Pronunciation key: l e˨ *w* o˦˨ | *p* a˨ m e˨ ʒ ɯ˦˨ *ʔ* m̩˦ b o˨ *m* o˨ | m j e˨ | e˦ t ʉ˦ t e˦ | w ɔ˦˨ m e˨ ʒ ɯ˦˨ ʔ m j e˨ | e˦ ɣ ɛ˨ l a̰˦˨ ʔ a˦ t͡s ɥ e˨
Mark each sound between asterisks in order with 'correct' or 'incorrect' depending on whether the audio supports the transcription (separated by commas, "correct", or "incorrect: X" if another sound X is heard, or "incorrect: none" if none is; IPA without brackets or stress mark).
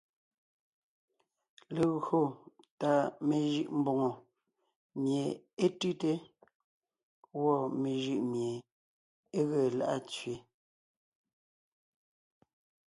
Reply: incorrect: ɣ, incorrect: t, correct, incorrect: ŋ